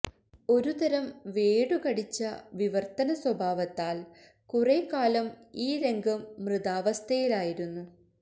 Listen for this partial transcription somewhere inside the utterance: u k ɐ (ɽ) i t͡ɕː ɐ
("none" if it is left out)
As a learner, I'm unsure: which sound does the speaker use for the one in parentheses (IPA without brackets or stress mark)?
ɽ